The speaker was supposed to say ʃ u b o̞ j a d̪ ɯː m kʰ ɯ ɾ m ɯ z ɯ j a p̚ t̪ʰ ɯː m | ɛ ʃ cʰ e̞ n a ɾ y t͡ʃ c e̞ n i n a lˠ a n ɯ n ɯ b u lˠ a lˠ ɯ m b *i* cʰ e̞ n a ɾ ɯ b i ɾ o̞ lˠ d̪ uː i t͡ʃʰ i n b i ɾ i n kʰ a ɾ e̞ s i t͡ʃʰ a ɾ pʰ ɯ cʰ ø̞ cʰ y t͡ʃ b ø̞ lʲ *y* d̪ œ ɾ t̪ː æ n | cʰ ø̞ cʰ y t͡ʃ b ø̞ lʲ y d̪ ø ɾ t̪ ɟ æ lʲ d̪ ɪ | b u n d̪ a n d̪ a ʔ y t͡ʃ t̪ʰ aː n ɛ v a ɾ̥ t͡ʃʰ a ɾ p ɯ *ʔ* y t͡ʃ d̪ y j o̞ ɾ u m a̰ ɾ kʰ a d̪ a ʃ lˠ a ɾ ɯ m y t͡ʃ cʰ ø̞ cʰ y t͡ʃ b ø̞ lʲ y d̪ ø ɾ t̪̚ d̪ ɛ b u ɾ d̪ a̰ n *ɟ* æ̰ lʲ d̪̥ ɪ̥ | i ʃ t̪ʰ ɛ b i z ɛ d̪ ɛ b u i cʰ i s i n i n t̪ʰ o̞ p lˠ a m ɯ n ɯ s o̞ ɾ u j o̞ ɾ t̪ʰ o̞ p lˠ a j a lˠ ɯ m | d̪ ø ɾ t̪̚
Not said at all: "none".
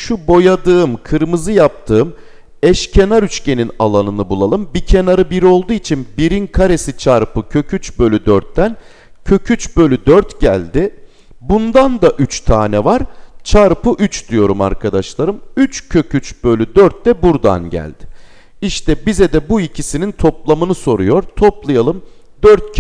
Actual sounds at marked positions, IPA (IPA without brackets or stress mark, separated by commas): i, y, ʔ, ɟ